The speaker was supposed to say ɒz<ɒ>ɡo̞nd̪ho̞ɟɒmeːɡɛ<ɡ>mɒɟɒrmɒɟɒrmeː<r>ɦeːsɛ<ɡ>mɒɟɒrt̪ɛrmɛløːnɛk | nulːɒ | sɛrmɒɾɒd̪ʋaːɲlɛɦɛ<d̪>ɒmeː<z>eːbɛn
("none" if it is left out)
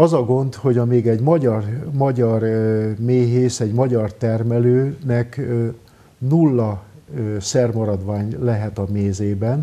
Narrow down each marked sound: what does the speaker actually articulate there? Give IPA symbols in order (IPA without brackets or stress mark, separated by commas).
ɒ, ɟ, none, ɟ, t̪, z